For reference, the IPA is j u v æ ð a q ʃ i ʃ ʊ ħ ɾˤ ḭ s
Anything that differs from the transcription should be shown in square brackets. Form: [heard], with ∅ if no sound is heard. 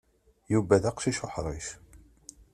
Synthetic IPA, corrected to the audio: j u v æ ð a q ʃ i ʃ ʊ ħ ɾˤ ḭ [ʃ]